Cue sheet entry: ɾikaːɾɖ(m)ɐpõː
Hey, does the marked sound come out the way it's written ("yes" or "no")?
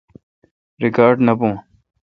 no